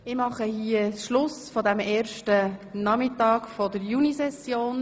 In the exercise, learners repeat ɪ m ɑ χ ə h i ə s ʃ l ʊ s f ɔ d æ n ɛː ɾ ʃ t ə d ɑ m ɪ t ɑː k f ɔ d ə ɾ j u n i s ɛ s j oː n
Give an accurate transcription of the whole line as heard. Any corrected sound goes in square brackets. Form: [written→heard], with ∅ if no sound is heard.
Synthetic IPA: ɪ m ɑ χ ə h i ə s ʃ l ʊ s f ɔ d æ [n→m] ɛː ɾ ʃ t ə [d→n] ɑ m ɪ t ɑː k f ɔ d ə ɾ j u n i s ɛ s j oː n